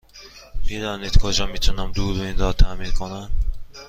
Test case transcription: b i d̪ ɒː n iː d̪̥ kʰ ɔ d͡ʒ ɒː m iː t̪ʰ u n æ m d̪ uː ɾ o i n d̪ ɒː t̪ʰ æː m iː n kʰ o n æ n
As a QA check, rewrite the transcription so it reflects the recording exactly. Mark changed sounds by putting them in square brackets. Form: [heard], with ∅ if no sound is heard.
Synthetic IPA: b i d̪ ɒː n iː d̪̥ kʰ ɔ d͡ʒ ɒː m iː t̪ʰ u n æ m d̪ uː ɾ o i n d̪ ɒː t̪ʰ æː m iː n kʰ o n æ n